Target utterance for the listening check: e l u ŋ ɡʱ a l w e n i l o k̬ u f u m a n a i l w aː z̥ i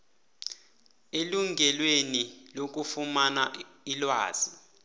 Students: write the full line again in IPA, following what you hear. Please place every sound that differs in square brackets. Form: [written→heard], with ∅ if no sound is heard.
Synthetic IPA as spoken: e l u ŋ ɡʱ [a→ɛ] l w e n i l o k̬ u f u m a n a i l w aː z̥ i